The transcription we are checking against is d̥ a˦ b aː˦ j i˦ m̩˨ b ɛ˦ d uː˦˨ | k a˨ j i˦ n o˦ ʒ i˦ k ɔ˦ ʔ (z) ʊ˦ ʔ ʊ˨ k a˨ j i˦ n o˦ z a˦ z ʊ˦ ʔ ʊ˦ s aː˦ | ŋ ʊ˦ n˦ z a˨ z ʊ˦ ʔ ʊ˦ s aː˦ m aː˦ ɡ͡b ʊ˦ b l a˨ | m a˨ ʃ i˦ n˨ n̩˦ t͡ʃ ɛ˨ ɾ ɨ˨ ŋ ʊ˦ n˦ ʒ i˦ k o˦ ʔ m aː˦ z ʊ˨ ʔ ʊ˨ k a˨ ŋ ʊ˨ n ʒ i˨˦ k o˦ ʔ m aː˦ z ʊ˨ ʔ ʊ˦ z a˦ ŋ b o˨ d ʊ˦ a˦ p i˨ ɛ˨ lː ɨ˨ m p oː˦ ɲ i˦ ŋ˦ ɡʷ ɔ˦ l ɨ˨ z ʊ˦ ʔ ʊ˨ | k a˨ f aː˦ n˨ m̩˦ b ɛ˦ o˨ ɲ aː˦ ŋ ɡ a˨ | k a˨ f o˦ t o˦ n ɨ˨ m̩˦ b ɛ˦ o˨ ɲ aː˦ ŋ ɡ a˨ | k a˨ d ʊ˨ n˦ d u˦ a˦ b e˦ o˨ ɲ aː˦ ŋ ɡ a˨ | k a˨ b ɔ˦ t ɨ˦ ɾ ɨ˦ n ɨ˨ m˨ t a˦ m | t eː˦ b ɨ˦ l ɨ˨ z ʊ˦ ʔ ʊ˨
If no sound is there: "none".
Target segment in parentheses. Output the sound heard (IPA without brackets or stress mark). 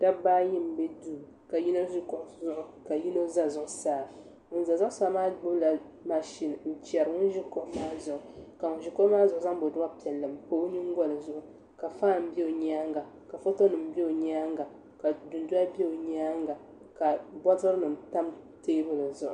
z